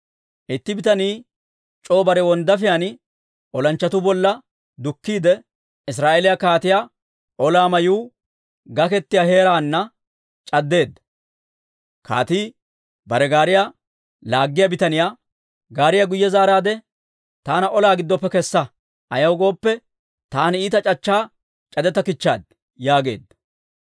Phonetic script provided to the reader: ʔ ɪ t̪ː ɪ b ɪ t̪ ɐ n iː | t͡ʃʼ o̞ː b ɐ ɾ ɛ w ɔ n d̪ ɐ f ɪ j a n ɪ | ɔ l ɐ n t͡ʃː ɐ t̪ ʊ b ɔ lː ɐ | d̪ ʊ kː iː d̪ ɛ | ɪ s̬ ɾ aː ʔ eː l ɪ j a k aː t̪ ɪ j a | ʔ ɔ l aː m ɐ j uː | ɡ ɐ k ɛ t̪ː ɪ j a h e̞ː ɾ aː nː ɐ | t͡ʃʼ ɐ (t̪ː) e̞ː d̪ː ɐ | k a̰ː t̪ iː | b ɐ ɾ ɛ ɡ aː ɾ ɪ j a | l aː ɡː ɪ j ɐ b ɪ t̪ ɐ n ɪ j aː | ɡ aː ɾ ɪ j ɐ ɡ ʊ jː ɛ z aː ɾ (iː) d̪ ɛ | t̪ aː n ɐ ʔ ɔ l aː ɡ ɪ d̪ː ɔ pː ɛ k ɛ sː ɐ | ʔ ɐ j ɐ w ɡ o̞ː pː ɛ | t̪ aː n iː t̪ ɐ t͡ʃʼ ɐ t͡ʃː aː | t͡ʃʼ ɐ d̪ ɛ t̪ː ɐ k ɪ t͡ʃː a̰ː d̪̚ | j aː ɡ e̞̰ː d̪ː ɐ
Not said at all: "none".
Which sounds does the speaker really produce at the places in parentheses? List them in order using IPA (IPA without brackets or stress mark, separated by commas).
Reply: d̪ː, aː